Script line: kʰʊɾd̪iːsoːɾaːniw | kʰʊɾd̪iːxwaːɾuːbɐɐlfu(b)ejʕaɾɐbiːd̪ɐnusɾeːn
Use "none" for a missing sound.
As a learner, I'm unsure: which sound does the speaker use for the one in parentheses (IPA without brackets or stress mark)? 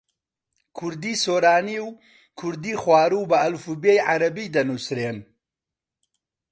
b